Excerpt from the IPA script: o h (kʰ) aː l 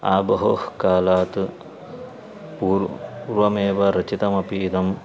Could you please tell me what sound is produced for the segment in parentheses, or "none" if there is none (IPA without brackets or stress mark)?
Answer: k